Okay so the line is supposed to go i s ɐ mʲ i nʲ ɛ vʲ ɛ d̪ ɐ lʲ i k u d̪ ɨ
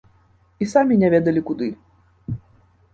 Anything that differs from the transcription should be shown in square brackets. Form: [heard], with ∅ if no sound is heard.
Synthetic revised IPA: i s [a] mʲ i nʲ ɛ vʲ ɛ d̪ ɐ lʲ i k u d̪ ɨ

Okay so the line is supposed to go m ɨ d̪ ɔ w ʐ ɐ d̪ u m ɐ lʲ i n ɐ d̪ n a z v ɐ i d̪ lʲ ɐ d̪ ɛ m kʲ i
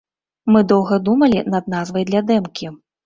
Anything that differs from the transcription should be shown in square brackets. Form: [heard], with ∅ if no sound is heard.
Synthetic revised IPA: m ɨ d̪ ɔ w [ɣ] ɐ d̪ u m ɐ lʲ i n ɐ d̪ n a z v ɐ [j] d̪ lʲ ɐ d̪ ɛ m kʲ i

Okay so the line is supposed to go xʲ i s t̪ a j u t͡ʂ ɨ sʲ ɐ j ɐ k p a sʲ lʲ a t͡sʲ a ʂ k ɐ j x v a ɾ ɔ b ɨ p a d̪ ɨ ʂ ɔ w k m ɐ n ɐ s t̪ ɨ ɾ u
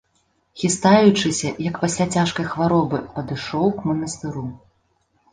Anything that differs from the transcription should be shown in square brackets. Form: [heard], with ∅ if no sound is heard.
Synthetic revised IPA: xʲ i s t̪ a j u t͡ʂ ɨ sʲ ɐ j ɐ k p a sʲ lʲ a t͡sʲ a ʂ k ɐ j x v a ɾ ɔ b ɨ p [ɐ] d̪ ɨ ʂ ɔ w k m ɐ n ɐ s t̪ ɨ ɾ u

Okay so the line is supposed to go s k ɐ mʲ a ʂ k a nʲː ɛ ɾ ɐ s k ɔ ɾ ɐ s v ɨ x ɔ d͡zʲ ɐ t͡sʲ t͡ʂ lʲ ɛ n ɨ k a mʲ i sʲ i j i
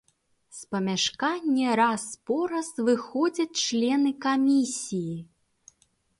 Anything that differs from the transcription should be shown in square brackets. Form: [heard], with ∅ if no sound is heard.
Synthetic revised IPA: s [p] ɐ mʲ a ʂ k a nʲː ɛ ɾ [a] s [p] ɔ ɾ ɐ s v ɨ x ɔ d͡zʲ ɐ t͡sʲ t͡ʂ lʲ ɛ n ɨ k a mʲ i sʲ i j i

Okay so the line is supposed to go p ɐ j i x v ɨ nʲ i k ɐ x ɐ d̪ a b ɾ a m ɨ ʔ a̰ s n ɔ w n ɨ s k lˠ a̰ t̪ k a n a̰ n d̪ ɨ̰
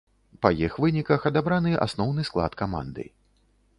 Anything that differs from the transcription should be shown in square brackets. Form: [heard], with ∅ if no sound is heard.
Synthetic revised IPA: p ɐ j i x v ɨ nʲ i k ɐ x ɐ d̪ a b ɾ a [n] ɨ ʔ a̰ s n ɔ w n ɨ s k lˠ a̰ t̪ k a [m] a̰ n d̪ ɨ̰

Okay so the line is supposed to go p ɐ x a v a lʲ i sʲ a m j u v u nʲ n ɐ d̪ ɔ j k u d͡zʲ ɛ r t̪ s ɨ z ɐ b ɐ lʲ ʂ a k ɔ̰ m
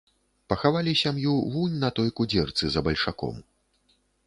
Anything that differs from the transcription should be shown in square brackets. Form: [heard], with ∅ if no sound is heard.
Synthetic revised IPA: p ɐ x a v a lʲ i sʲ a m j u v u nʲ n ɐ [t̪] ɔ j k u d͡zʲ ɛ r t̪ s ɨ z ɐ b ɐ lʲ ʂ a k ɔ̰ m

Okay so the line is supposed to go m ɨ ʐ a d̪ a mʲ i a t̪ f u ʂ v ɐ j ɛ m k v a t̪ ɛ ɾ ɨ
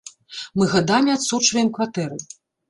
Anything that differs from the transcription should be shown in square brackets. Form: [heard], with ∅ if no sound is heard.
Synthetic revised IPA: m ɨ [ɣ] a d̪ a mʲ i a t̪ [s] u [t͡ʂ] v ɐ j ɛ m k v a t̪ ɛ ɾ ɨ

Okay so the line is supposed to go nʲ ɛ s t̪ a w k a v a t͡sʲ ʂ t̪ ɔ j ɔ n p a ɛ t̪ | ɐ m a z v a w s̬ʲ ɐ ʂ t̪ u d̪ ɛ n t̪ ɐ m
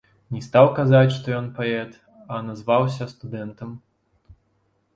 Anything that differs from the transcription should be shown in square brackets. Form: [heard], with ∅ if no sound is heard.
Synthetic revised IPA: nʲ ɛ s t̪ a w k a [z] a t͡sʲ ʂ t̪ ɔ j ɔ n p a ɛ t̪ | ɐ [n] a z v a w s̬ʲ ɐ [s] t̪ u d̪ ɛ n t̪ ɐ m

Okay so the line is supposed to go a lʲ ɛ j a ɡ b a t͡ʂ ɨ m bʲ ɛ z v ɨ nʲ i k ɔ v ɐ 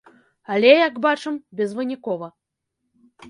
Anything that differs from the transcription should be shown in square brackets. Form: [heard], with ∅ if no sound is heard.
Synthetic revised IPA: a lʲ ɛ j a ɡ b a t͡ʂ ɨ m bʲ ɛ z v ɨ nʲ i k ɔ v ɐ

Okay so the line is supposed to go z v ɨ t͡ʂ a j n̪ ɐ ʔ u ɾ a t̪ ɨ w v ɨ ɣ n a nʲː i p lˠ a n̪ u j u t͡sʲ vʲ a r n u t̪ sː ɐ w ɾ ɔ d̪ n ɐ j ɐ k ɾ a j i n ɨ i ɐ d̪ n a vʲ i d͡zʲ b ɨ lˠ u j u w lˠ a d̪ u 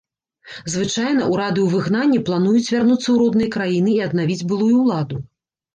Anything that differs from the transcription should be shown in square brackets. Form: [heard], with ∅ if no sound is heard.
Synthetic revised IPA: z v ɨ t͡ʂ a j n̪ ɐ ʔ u ɾ a [d̪] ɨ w v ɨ ɣ n a nʲː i p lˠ a n̪ u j u t͡sʲ vʲ a r n u t̪ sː ɐ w ɾ ɔ d̪ n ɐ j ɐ k ɾ a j i n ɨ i ɐ d̪ n a vʲ i d͡zʲ b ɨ lˠ u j u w lˠ a d̪ u

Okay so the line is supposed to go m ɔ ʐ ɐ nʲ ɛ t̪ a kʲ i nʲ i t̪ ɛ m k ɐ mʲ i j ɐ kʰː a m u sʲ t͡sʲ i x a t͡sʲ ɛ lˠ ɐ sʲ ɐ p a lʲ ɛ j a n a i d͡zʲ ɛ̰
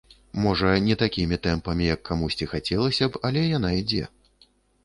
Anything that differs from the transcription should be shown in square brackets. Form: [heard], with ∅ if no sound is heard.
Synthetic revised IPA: m ɔ ʐ ɐ nʲ ɛ t̪ a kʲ i [mʲ] i t̪ ɛ m [p] ɐ mʲ i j ɐ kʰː a m u sʲ t͡sʲ i x a t͡sʲ ɛ lˠ ɐ sʲ ɐ p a lʲ ɛ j a n a i d͡zʲ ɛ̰

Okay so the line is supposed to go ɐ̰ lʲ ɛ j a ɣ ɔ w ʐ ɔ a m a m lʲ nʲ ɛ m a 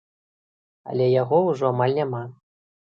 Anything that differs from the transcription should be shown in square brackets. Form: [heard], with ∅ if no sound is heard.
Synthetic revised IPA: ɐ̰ lʲ ɛ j a ɣ ɔ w ʐ ɔ a m a [∅] lʲ nʲ [a] m a

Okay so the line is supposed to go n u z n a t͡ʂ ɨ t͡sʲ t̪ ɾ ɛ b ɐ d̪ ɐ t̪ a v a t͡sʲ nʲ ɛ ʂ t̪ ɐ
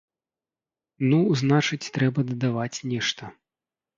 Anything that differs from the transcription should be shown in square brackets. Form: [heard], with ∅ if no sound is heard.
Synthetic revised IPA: n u z n a t͡ʂ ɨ t͡sʲ t̪ ɾ ɛ b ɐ d̪ ɐ [d̪] a v a t͡sʲ nʲ ɛ ʂ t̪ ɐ

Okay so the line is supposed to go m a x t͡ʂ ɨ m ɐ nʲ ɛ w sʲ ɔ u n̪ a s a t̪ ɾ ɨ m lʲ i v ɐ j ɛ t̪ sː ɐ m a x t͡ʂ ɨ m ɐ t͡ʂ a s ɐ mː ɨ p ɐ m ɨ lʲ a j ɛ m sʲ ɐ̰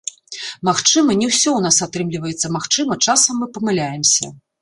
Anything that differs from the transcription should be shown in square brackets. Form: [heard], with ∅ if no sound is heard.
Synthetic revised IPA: m a x t͡ʂ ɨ m ɐ nʲ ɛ w sʲ ɔ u n̪ a s a t̪ ɾ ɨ m lʲ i v ɐ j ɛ t̪ sː ɐ m a x t͡ʂ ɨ m ɐ t͡ʂ a s ɐ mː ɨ p ɐ m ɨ lʲ a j ɛ m sʲ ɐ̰

